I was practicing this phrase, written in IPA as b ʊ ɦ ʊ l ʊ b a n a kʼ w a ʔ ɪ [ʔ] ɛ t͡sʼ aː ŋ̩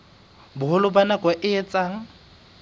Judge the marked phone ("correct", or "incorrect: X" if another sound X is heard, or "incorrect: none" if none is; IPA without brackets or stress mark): incorrect: none